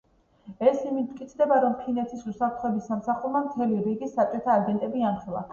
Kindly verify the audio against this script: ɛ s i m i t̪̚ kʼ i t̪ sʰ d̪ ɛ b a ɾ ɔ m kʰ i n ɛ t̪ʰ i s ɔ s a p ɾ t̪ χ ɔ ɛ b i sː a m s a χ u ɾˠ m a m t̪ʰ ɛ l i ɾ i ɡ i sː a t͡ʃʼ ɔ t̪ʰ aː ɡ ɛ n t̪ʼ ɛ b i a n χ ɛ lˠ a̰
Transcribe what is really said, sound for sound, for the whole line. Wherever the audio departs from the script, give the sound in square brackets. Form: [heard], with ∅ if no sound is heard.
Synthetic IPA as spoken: ɛ s i m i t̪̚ kʼ i t̪ sʰ d̪ ɛ b a ɾ ɔ m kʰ i n ɛ t̪ʰ i s [u] s a p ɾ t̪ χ ɔ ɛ b i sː a m s a χ u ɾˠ m a m t̪ʰ ɛ l i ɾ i ɡ i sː a t͡ʃʼ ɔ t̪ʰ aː ɡ ɛ n t̪ʼ ɛ b i a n χ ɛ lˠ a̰